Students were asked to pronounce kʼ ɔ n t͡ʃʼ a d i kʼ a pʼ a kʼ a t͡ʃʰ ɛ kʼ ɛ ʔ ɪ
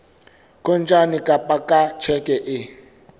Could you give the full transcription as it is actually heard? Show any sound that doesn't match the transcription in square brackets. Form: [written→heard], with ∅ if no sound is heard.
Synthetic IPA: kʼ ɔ n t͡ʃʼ a [d→n] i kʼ a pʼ a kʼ a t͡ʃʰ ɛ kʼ ɛ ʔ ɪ